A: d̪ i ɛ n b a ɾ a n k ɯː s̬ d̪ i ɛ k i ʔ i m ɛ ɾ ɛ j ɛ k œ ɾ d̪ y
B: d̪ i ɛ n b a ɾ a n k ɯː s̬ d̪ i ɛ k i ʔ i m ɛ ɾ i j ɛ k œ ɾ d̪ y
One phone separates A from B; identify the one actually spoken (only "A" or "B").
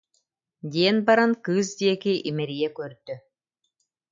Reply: B